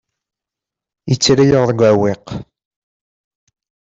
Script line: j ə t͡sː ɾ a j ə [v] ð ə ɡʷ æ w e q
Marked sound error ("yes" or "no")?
yes